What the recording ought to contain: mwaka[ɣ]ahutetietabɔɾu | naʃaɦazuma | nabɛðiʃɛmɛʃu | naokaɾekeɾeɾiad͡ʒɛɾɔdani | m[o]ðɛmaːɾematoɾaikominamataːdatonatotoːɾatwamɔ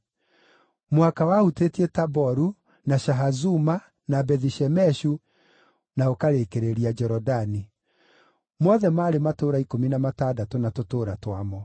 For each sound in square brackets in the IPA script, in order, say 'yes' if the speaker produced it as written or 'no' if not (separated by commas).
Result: no, no